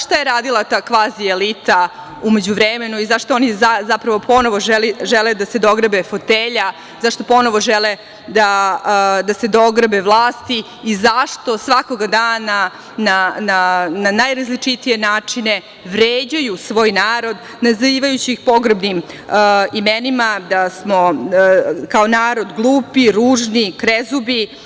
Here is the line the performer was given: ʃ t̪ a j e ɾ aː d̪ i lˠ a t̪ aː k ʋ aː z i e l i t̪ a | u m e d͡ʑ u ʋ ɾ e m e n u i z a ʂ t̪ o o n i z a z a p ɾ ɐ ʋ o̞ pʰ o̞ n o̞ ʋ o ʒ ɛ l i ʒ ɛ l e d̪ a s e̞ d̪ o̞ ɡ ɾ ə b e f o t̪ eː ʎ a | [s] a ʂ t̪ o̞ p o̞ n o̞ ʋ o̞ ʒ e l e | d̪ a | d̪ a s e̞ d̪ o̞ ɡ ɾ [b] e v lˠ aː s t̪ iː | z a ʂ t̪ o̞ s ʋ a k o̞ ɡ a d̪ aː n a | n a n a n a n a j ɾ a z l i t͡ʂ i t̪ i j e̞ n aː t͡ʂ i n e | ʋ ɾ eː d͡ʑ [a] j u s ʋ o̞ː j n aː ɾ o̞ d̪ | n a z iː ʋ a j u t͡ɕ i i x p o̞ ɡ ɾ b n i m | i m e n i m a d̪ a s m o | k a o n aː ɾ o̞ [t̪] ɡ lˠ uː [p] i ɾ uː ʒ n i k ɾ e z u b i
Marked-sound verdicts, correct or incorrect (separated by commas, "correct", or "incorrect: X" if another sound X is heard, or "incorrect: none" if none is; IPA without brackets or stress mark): incorrect: z, correct, correct, incorrect: d̪, correct